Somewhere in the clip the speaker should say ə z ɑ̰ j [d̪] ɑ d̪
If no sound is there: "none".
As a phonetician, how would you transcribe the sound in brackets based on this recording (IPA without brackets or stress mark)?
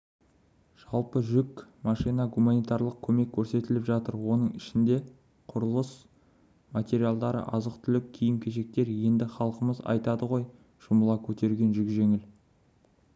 t̪